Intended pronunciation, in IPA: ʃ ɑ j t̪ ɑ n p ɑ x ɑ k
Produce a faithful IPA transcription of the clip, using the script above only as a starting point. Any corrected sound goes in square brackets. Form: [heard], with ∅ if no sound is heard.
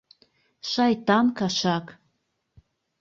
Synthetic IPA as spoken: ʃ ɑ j t̪ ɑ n [k] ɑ [ʃ] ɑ k